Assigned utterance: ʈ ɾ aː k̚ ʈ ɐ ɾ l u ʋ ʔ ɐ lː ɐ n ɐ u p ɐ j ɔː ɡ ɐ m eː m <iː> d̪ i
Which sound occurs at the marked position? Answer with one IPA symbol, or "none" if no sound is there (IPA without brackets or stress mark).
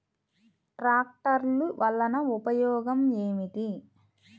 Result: i